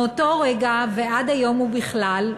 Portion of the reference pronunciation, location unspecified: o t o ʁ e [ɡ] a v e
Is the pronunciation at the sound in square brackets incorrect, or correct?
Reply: correct